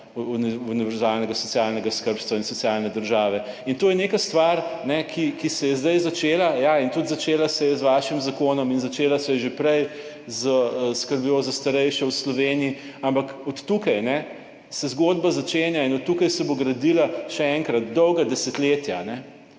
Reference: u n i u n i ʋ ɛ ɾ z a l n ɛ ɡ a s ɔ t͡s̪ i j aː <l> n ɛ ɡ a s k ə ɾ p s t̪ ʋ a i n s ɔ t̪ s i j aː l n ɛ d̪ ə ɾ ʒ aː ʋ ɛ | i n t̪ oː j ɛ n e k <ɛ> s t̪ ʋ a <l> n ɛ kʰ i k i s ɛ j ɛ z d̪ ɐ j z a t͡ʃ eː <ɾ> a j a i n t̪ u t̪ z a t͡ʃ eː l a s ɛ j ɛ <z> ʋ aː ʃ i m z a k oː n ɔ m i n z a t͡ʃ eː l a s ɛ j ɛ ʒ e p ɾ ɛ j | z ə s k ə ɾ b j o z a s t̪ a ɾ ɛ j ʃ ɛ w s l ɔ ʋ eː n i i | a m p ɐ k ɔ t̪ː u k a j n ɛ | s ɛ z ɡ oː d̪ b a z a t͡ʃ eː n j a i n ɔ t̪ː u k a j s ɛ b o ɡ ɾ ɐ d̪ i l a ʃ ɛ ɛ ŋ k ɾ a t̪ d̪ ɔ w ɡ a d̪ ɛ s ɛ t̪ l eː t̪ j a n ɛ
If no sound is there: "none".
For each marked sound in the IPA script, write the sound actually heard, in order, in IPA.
l, a, ɾ, l, z

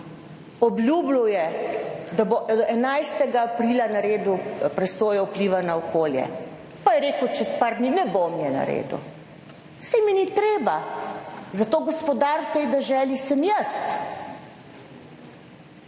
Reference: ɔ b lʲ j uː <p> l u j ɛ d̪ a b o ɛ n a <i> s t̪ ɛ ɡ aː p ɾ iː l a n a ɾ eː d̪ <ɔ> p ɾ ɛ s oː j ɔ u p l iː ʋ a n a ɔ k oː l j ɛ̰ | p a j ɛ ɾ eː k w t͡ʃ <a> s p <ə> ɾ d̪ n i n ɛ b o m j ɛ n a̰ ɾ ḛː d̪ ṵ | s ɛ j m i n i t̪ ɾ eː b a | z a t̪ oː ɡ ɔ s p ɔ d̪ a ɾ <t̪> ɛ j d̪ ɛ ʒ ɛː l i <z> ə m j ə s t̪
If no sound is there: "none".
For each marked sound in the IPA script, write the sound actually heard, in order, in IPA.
b, j, u, ɛ, a, t̪, s

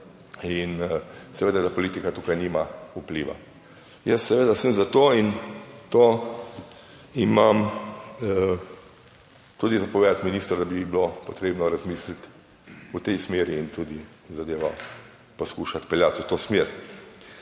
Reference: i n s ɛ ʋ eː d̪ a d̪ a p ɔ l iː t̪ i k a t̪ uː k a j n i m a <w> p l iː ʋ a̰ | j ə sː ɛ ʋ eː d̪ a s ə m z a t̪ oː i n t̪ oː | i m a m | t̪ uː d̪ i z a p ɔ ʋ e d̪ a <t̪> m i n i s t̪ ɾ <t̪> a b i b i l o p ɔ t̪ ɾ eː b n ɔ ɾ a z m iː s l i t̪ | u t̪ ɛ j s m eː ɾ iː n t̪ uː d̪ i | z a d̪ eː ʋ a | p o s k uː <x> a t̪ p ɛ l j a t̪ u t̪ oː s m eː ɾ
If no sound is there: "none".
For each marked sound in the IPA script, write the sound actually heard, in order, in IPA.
u, t̪, d̪, ʃ

